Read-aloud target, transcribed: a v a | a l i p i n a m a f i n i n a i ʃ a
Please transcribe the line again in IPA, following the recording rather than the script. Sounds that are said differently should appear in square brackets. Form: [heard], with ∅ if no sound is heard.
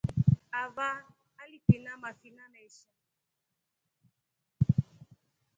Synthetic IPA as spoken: a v a | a l i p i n a m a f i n [a] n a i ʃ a